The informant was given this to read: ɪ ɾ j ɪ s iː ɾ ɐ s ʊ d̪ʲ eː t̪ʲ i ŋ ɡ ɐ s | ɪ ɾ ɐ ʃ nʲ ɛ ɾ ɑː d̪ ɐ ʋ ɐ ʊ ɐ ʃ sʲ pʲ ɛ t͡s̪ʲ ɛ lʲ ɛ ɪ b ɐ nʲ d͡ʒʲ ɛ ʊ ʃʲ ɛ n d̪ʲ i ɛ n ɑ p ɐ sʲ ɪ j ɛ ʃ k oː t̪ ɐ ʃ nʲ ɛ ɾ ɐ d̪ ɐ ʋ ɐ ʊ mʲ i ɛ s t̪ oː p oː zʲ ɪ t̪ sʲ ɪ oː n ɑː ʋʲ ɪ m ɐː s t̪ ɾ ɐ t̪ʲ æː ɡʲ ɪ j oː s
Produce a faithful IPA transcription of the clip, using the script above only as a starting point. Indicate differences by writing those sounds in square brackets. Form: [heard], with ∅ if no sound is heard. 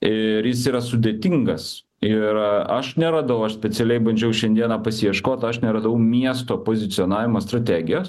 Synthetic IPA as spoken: ɪ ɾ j ɪ s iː ɾ ɐ s ʊ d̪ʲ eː t̪ʲ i ŋ ɡ ɐ s | ɪ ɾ ɐ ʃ nʲ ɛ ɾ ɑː d̪ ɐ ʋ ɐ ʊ ɐ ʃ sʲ pʲ ɛ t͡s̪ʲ ɛ lʲ ɛ ɪ b ɐ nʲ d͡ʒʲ ɛ ʊ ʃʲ ɛ n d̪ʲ i ɛ n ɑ p ɐ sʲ ɪ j ɛ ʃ k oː t̪ ɐ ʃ nʲ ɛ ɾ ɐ d̪ ɐ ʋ ɐ ʊ mʲ i ɛ s t̪ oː p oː zʲ ɪ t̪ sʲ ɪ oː n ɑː ʋʲ ɪ m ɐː s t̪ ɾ ɐ t̪ʲ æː ɡʲ ɪ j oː s